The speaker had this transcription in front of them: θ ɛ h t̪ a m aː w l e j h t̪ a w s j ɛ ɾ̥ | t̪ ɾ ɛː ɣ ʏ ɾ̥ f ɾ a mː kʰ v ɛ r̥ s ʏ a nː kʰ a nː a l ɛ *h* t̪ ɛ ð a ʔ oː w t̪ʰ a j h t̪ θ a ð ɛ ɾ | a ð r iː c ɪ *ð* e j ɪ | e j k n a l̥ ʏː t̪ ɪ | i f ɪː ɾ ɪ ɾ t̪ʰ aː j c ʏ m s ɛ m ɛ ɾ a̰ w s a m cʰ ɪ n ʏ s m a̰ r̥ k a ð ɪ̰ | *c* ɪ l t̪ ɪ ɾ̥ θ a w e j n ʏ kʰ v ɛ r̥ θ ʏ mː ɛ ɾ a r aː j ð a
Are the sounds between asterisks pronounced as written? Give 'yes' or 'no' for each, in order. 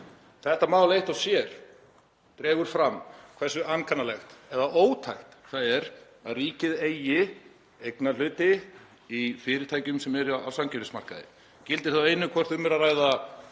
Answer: no, yes, yes

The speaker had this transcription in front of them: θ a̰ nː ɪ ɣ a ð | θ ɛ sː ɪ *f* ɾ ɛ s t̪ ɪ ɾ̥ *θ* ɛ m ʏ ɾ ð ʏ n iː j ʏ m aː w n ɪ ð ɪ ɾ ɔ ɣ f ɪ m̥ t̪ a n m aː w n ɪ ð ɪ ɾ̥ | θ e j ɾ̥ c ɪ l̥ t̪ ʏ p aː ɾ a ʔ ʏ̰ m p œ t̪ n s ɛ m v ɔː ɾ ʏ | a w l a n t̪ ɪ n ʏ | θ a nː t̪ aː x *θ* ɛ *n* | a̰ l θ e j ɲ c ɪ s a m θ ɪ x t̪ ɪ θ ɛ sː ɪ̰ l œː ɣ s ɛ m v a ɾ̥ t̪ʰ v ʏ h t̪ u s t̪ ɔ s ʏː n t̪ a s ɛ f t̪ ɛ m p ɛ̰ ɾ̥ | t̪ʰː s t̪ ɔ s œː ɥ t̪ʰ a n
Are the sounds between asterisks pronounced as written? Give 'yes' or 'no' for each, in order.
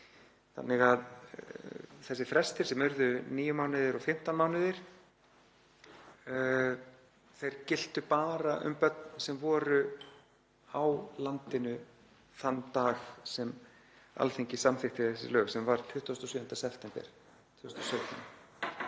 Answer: yes, no, no, no

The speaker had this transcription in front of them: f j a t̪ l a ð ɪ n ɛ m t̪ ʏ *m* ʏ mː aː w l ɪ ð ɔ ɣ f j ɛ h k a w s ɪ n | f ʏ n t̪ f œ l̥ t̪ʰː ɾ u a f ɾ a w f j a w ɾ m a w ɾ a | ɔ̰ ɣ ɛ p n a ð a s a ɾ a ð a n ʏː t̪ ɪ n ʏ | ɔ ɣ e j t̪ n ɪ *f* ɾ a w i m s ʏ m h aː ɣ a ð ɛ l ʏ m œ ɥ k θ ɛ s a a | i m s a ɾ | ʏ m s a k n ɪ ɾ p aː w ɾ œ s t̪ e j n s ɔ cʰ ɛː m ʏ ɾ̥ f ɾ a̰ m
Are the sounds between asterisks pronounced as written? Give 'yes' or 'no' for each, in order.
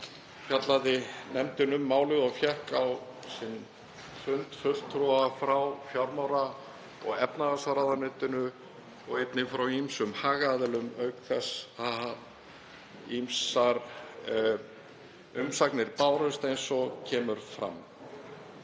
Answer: no, yes

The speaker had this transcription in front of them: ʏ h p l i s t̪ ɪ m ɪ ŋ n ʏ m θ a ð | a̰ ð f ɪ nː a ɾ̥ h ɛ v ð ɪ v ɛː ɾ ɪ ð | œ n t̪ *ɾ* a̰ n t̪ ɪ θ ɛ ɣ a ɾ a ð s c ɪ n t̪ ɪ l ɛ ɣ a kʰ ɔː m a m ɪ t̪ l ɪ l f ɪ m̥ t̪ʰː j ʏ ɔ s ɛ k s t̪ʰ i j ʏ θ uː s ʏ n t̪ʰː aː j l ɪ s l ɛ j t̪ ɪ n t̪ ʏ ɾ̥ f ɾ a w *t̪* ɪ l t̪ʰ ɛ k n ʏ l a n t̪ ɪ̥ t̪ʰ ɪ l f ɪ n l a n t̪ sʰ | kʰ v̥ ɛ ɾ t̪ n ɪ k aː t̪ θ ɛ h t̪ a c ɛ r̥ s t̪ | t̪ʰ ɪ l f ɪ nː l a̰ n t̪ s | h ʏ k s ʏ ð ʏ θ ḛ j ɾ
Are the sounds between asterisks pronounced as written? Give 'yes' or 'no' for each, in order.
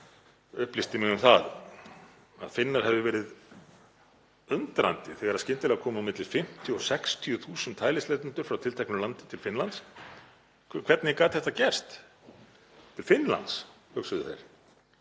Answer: yes, no

